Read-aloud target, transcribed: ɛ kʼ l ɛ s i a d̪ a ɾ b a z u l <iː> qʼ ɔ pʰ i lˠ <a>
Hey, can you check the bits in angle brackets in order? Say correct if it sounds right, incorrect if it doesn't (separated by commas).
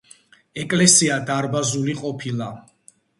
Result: incorrect, correct